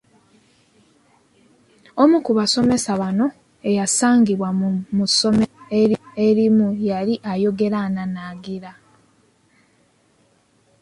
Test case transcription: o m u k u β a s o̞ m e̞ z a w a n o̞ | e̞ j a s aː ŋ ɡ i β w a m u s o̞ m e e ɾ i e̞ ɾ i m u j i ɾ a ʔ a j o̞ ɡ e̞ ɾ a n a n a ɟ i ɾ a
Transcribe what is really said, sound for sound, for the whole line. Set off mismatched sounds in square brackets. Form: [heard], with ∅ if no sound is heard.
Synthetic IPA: o m u k u β a s o̞ m e̞ [s] a [β] a n o̞ | e̞ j a s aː ŋ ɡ i β w a m u s o̞ m e e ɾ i e̞ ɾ i m u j [a] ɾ [i] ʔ a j o̞ ɡ e̞ ɾ a n a n a [ɡ] i ɾ a